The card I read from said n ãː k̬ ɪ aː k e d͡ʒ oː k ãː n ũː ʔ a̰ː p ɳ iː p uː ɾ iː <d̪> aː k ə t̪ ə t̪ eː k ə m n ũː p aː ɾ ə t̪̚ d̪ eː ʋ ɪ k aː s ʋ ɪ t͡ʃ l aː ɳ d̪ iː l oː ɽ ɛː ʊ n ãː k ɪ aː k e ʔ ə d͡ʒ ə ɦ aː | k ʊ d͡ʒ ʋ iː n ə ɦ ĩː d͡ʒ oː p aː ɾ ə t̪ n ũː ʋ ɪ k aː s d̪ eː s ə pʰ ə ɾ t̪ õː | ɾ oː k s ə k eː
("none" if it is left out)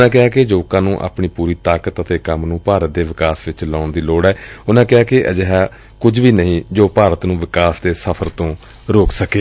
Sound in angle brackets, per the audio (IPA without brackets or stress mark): t̪